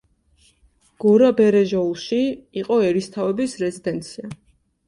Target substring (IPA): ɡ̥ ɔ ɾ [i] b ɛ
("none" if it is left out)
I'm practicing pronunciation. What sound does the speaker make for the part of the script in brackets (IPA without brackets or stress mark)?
a